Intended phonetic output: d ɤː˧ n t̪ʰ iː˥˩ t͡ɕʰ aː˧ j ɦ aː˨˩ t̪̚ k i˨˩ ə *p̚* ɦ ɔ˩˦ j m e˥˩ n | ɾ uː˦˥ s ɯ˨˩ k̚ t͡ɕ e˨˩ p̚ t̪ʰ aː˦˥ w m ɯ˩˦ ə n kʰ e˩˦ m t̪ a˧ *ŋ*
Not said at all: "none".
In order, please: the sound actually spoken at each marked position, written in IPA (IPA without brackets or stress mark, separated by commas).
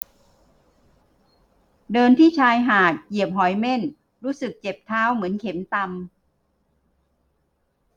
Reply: p̚, m